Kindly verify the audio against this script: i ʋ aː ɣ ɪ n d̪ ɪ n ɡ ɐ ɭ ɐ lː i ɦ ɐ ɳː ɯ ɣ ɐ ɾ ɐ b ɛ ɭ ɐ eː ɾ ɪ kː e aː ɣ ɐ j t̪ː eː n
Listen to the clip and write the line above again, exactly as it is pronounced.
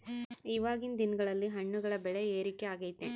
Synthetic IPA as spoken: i ʋ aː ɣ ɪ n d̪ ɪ n ɡ ɐ ɭ ɐ lː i ɦ ɐ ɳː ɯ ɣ ɐ ɭ ɐ b ɛ ɭ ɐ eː ɾ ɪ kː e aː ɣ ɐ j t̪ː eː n